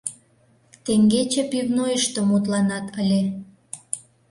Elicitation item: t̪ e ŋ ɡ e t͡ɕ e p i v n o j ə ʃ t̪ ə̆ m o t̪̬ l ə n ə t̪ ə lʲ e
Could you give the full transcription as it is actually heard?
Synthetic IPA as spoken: t̪ e ŋ ɡ e t͡ɕ e p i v n o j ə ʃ t̪ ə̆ m u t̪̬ l ɑ n ɑ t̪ ə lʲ e